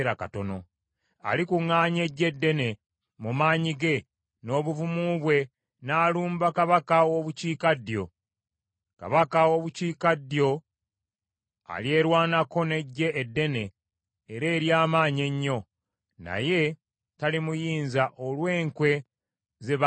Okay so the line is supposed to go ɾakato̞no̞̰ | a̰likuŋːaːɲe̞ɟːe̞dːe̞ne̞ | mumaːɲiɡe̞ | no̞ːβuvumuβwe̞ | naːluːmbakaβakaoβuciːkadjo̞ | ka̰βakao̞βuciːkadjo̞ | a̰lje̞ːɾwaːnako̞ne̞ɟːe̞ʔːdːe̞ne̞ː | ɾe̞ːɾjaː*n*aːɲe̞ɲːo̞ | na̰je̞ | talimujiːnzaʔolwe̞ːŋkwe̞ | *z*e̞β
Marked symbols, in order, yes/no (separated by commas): no, yes